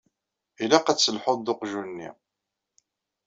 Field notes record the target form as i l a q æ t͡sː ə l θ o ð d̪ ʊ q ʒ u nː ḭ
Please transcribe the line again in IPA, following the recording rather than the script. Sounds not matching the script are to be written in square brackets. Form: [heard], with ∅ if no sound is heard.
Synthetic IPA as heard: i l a q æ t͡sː ə l [ħ] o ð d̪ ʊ q ʒ u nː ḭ

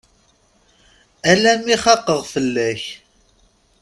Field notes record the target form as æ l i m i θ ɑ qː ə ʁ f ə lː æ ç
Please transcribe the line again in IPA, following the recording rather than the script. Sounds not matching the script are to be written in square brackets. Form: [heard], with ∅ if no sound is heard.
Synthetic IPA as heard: æ l [æ] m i [χ] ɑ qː ə ʁ f ə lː æ ç

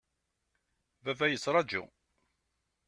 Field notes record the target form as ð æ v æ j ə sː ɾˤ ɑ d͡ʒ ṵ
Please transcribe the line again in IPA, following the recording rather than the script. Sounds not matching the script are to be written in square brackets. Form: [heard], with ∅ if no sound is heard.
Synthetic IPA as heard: [v] æ v æ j ə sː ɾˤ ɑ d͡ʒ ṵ

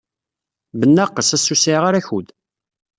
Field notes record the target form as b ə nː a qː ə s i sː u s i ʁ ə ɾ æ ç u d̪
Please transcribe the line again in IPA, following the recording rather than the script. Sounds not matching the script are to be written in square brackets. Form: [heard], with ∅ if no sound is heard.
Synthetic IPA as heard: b ə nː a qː ə s [æ] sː u s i ʁ [a] ɾ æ ç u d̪

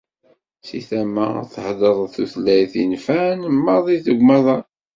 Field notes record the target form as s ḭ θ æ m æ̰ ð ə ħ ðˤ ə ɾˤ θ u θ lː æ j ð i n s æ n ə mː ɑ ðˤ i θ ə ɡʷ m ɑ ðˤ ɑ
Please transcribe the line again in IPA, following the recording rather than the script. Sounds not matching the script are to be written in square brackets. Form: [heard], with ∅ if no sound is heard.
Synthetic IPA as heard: s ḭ θ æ m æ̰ [θ] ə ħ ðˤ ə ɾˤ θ u θ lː æ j [θ] i n [f] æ n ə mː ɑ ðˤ i θ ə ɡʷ m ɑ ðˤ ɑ

